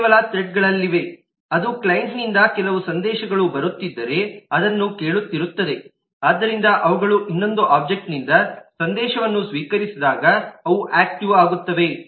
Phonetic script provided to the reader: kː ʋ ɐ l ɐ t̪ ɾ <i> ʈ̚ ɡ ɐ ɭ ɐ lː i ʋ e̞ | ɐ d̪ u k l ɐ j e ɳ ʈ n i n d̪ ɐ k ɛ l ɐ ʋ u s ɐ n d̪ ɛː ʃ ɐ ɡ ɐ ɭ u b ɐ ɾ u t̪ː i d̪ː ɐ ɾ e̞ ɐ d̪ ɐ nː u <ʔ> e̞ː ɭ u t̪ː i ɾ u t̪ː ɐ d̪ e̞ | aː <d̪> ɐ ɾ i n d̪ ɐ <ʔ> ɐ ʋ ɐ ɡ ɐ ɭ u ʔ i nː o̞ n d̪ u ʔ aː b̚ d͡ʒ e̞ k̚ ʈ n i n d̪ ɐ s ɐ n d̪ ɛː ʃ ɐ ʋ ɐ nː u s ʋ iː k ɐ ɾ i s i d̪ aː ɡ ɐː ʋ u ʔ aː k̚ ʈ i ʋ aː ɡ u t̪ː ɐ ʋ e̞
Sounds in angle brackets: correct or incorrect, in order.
incorrect, incorrect, incorrect, correct

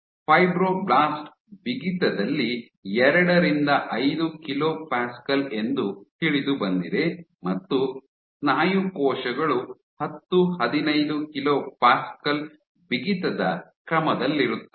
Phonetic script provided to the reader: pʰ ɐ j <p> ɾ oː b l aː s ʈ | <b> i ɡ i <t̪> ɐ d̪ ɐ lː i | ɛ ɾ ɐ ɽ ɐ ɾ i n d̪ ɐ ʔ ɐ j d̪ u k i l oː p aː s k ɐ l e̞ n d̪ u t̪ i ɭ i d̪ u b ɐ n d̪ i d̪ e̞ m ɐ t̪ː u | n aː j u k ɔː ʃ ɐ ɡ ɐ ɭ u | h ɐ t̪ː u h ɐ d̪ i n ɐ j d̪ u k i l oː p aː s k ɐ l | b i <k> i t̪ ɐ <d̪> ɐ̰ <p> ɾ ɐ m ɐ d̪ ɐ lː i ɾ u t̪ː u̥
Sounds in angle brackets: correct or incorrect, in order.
incorrect, correct, correct, incorrect, correct, incorrect

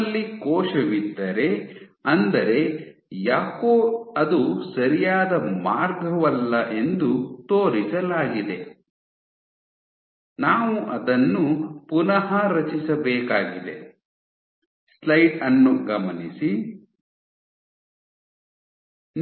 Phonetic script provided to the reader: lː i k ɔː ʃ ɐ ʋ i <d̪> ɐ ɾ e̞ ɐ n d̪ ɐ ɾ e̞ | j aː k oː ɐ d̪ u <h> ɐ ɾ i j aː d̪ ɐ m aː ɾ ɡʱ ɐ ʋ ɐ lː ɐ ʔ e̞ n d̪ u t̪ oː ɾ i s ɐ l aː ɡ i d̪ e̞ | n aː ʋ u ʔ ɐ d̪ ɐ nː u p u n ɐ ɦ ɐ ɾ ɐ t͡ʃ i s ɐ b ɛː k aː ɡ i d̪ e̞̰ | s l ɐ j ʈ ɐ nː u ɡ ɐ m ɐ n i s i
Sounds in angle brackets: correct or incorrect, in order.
incorrect, incorrect

